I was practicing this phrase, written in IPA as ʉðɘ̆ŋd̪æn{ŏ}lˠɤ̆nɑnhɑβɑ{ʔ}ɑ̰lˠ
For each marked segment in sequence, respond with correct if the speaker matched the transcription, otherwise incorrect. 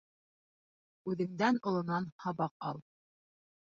correct, incorrect

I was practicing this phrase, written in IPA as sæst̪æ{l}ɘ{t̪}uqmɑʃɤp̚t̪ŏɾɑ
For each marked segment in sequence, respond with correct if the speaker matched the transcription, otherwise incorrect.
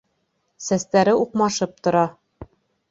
incorrect, incorrect

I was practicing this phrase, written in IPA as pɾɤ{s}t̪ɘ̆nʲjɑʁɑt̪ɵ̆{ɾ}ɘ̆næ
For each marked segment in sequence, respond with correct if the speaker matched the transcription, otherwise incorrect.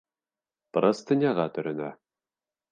correct, correct

